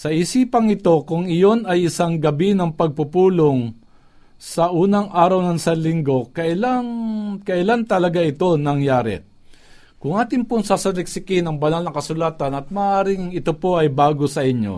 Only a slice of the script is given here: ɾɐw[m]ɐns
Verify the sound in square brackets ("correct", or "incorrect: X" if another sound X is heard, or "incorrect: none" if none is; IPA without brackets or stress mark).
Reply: incorrect: n